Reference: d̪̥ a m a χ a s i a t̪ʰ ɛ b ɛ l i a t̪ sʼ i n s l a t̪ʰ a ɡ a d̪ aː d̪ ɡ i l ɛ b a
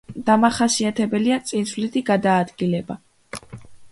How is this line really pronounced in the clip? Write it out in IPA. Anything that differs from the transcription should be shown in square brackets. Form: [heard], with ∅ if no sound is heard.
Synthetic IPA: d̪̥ a m a χ a s i a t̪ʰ ɛ b ɛ l i a t̪ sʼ i n s l [i] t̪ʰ [i] ɡ a d̪ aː d̪ ɡ i l ɛ b a